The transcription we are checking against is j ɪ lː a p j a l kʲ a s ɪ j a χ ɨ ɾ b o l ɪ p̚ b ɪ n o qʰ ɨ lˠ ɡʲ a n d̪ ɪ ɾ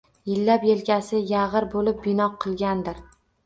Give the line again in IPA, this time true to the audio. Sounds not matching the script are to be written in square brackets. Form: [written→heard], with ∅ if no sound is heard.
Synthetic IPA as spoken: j ɪ lː a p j [a→e] l kʲ a s ɪ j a [χ→ʁ] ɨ ɾ b o l ɪ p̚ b ɪ n [o→ɒ] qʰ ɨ lˠ ɡʲ a n d̪ ɪ ɾ